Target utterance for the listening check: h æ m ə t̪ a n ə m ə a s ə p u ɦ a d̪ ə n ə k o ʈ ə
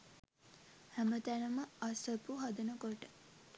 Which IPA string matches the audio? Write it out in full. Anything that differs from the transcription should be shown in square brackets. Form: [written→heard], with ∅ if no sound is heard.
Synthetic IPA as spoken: h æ m ə t̪ [a→æ] n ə m ə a s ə p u ɦ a d̪ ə n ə k o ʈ ə

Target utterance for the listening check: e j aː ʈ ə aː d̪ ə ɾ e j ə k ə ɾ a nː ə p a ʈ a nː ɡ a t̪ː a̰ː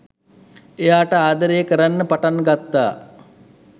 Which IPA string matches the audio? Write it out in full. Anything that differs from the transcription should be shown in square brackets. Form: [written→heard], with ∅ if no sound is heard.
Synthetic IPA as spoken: e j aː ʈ ə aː d̪ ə ɾ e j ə k ə ɾ a nː ə p a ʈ a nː ɡ a t̪ː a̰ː

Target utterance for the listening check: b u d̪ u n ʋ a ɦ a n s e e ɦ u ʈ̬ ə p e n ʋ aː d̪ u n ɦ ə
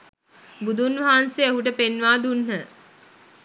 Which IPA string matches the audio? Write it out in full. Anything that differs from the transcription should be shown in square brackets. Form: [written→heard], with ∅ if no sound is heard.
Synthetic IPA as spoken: b u d̪ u n ʋ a ɦ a n s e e ɦ u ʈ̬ ə p e n ʋ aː d̪ u n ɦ ə

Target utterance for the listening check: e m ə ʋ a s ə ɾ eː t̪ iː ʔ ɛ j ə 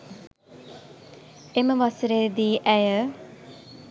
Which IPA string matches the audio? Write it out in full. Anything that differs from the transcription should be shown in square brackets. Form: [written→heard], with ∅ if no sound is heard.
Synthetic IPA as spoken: e m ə ʋ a s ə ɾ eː [t̪→d̪] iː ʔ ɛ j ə

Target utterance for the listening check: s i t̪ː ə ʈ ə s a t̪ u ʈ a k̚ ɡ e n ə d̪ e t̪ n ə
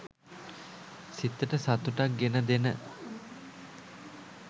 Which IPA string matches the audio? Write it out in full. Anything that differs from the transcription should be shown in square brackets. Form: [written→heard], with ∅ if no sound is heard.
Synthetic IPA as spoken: s i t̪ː ə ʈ ə s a t̪ u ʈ a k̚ ɡ e n ə d̪ e [t̪→∅] n ə

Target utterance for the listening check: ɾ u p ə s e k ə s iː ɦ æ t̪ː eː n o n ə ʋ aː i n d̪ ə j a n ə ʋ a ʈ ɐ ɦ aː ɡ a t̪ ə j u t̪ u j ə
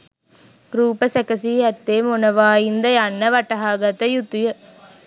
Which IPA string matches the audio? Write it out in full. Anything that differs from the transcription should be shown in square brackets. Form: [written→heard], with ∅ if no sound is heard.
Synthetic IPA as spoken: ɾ [u→uː] p ə s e k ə s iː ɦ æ t̪ː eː [n→m] o n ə ʋ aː i n d̪ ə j a [n→nː] ə ʋ a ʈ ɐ ɦ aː ɡ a t̪ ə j u t̪ u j ə

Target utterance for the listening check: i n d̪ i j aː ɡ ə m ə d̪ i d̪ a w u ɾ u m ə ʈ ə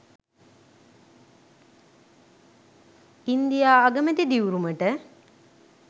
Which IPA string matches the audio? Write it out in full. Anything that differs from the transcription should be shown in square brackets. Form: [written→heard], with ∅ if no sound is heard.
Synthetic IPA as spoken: i n d̪ i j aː ɡ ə m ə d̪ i d̪ [a→i] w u ɾ u m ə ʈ ə

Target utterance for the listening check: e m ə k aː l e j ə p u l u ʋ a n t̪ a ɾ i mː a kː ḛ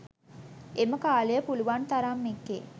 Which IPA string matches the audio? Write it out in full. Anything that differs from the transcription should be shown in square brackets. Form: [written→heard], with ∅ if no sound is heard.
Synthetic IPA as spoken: e m ə k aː l e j ə p u l u ʋ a n t̪ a ɾ [i→a] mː [a→e] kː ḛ

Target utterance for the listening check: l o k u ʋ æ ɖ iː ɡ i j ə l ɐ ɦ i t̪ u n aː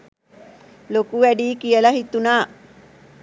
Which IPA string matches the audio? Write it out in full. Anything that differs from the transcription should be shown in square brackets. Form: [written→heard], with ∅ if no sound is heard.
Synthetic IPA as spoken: l o k u ʋ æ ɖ iː [ɡ→k] i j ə l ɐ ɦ i t̪ u n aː

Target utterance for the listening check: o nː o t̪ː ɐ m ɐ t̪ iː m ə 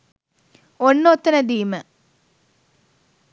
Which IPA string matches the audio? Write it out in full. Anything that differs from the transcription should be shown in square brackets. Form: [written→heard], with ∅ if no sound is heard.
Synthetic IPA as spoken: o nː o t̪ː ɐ [m→n] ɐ [t̪→d̪] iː m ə

